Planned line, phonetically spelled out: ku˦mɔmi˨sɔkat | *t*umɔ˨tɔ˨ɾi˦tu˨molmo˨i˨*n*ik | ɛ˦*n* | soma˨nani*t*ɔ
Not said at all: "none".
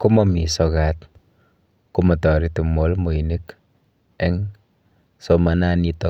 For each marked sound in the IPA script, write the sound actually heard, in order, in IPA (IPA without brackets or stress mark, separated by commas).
k, n, ŋ, t